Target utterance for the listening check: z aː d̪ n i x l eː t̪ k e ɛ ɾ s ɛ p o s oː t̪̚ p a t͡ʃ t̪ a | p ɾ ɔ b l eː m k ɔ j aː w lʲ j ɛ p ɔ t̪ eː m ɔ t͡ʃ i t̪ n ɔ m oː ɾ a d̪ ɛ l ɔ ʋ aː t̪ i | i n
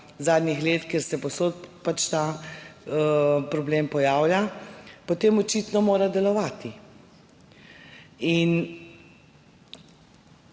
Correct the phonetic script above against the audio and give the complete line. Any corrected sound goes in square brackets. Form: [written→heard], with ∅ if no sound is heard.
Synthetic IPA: z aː d̪ n i x l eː t̪ k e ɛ ɾ s ɛ p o s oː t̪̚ p a t͡ʃ t̪ a | p ɾ ɔ b l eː m [k→p] ɔ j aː w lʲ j [ɛ→a] p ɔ t̪ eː m ɔ t͡ʃ i t̪ n ɔ m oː ɾ a d̪ ɛ l ɔ ʋ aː t̪ i | i n